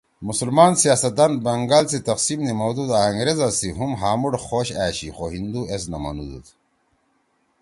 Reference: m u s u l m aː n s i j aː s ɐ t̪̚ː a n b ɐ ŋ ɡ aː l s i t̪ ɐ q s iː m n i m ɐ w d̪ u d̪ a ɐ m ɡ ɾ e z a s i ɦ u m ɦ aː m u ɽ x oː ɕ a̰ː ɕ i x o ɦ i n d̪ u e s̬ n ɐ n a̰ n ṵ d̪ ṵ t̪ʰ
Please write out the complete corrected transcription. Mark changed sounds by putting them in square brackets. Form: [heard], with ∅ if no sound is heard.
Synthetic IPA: m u s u l m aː n s i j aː s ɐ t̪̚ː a n b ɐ ŋ ɡ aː l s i t̪ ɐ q s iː m n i m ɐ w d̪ u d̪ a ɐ [ŋ] ɡ ɾ e z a s i ɦ u m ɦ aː m u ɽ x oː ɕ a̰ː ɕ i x o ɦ i n d̪ u e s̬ n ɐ [m] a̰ n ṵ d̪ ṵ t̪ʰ